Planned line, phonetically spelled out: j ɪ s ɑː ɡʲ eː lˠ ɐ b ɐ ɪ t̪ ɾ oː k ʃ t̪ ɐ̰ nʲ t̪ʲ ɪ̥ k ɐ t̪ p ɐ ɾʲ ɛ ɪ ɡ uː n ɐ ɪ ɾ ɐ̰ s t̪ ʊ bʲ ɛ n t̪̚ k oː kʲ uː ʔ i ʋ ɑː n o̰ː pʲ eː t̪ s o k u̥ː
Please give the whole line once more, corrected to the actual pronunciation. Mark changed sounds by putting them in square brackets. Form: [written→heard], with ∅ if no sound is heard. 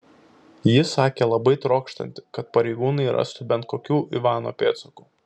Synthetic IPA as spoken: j ɪ s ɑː [ɡʲ→kʲ] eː lˠ ɐ b ɐ ɪ t̪ ɾ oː k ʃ t̪ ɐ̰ nʲ t̪ʲ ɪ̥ k ɐ t̪ p ɐ ɾʲ ɛ ɪ ɡ uː n ɐ ɪ ɾ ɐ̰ s t̪ ʊ bʲ ɛ n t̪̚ k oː kʲ uː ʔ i ʋ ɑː n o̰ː pʲ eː t̪ s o k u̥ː